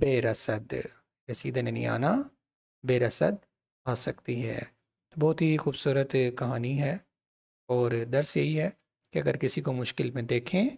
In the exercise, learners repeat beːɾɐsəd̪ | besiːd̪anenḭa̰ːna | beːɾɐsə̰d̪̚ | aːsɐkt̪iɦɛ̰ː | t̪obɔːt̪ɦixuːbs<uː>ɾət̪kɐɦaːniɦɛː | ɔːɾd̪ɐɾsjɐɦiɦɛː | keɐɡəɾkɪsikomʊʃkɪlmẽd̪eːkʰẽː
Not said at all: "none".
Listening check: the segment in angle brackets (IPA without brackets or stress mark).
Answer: uː